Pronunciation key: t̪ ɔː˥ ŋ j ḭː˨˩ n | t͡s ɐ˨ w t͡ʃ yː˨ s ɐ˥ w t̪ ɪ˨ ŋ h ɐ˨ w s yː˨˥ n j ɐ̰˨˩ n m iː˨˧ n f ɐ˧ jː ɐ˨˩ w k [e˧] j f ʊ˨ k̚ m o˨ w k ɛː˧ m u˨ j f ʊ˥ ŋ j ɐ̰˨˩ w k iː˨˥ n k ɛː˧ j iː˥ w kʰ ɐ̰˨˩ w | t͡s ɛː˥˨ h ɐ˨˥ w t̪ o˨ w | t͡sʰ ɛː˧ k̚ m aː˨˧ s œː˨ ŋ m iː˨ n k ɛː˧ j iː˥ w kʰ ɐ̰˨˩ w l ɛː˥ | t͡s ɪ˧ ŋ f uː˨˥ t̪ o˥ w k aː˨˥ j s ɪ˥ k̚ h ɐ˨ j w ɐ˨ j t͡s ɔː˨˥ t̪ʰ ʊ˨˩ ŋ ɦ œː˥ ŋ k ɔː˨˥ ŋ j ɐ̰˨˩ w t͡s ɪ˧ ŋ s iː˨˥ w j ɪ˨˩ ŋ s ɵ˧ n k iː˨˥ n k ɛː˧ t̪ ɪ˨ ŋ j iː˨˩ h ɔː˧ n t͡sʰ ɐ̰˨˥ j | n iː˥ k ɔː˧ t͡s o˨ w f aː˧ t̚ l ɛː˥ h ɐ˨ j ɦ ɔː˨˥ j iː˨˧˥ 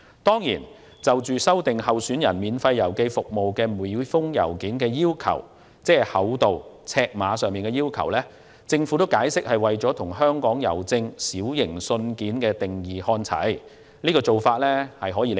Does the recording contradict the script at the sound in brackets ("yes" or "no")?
no